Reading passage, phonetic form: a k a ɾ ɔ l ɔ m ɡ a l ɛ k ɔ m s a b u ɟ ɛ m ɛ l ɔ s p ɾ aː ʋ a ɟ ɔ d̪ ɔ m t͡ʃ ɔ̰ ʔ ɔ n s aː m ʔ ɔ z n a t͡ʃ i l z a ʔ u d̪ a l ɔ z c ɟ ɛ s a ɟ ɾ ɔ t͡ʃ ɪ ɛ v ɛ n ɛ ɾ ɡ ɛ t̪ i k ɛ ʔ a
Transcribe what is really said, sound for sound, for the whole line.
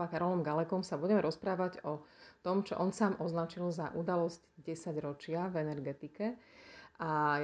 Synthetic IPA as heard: a k a ɾ ɔ l ɔ m ɡ a l ɛ k ɔ m s a b u ɟ ɛ m ɛ ɾ ɔ s p ɾ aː ʋ a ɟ ɔ t̪ ɔ m t͡ʃ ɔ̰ ʔ ɔ n s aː m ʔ ɔ z n a t͡ʃ i l z a ʔ u d̪ a l ɔ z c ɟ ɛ s a ɟ ɾ ɔ t͡ʃ ɪ a v ɛ n ɛ ɾ ɡ ɛ t̪ i k ɛ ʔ a